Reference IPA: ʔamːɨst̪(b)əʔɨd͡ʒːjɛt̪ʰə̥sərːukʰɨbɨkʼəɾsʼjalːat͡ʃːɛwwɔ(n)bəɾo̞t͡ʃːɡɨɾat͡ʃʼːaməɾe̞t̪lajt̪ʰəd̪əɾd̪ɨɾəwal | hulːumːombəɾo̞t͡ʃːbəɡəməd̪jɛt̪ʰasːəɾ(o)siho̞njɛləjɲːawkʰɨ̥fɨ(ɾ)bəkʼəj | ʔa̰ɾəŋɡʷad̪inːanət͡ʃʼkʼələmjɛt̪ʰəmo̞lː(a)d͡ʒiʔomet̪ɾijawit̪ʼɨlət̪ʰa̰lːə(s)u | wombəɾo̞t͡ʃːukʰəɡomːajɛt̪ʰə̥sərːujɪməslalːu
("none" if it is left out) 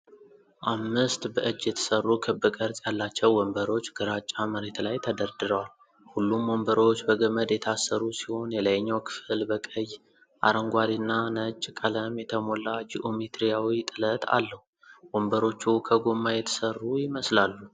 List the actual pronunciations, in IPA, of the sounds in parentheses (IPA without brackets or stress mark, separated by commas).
b, m, u, l, a, h